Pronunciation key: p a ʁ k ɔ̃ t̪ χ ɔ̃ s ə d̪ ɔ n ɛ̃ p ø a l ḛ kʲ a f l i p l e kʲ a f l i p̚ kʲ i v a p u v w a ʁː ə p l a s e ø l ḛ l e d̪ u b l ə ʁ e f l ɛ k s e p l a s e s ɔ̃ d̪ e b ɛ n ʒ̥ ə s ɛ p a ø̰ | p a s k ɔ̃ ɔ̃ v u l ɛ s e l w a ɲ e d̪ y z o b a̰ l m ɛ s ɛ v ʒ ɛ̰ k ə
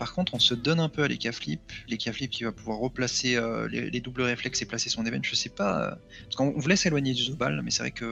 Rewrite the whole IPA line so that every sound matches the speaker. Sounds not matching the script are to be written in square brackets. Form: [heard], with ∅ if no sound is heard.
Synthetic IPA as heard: p a ʁ k ɔ̃ t̪ χ ɔ̃ s ə d̪ ɔ n ɛ̃ p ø a l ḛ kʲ a f l i p l e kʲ a f l i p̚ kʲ i v a p u v w a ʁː ə p l a s e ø l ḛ l e d̪ u b l ə ʁ e f l ɛ k s e p l a s e s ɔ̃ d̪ e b ɛ n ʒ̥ ə s ɛ p a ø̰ | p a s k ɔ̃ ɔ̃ v u l ɛ s e l w a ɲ e d̪ y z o b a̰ l m ɛ s ɛ v [ʁ] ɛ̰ k ə